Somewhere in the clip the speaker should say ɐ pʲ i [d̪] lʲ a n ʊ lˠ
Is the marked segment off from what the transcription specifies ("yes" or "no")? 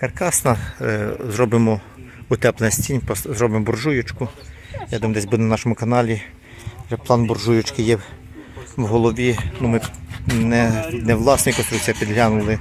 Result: no